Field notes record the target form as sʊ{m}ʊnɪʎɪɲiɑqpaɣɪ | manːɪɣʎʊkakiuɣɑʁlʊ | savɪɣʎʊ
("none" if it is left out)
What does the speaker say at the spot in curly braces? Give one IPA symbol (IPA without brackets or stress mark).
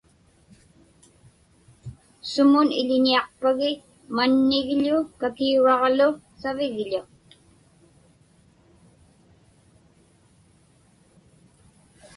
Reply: m